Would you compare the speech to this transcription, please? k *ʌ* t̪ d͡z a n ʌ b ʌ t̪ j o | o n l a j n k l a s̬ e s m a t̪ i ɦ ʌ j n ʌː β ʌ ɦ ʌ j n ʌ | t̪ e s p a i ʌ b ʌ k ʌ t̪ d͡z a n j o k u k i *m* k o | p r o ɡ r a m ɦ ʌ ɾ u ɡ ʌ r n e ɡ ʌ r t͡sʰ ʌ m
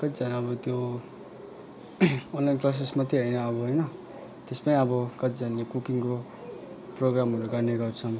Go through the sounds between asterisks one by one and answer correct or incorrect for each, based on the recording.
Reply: correct, incorrect: ŋ

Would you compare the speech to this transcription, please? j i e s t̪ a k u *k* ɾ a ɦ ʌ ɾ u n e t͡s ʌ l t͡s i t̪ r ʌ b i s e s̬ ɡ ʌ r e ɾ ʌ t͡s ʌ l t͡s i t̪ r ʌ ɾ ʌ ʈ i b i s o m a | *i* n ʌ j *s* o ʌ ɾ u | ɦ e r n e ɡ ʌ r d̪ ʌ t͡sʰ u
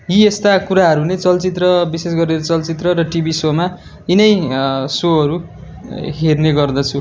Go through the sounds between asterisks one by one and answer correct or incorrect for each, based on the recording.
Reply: incorrect: none, correct, correct

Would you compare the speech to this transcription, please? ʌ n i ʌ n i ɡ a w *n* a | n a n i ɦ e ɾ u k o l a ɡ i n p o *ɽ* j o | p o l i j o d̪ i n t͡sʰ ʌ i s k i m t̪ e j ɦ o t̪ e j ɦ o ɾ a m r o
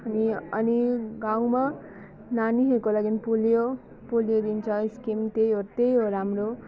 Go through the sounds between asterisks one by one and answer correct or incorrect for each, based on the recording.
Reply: incorrect: m, incorrect: l

